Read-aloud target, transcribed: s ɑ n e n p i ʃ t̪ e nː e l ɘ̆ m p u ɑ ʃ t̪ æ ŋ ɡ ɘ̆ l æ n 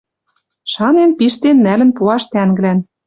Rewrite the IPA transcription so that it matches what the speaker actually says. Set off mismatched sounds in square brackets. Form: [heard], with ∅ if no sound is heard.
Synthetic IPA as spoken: [ʃ] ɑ n e n p i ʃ t̪ e nː [æ] l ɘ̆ [n] p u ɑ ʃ t̪ æ ŋ ɡ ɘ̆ l æ n